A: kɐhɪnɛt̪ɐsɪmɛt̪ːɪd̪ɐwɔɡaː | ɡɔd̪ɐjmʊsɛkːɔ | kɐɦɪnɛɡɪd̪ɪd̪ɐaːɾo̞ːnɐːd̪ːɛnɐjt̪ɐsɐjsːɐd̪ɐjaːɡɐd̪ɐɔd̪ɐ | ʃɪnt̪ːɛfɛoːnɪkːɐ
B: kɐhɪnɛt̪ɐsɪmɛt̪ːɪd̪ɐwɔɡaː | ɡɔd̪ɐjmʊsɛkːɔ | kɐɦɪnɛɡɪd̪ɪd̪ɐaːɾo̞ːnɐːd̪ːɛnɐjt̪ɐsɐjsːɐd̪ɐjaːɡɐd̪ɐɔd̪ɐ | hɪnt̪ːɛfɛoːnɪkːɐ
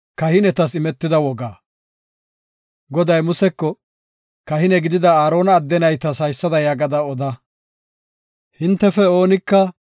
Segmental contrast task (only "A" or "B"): B